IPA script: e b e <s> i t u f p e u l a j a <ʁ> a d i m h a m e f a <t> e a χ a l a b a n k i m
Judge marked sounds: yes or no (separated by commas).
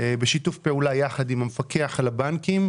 no, no, no